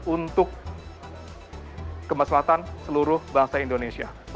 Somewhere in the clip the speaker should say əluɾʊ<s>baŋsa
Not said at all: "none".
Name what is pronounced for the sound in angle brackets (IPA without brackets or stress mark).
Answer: h